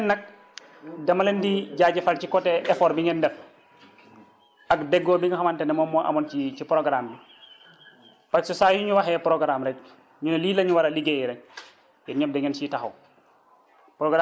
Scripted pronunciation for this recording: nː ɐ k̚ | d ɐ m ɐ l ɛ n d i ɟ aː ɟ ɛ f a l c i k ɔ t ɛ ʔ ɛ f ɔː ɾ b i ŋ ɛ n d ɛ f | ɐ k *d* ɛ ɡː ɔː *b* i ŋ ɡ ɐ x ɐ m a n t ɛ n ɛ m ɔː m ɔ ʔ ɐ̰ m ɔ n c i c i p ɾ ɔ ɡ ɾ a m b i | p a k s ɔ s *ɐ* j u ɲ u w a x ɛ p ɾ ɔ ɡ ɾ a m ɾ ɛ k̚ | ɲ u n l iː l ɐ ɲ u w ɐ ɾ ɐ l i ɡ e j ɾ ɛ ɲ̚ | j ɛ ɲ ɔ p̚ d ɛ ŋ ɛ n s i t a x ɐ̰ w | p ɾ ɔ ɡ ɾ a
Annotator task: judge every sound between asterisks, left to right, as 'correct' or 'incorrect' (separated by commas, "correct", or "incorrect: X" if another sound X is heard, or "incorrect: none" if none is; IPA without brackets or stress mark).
correct, correct, incorrect: a